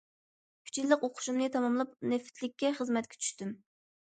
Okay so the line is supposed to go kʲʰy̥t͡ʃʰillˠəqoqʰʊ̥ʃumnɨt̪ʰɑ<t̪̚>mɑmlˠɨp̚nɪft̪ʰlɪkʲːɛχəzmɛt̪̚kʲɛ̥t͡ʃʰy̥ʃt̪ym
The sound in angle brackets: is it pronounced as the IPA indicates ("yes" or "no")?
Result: no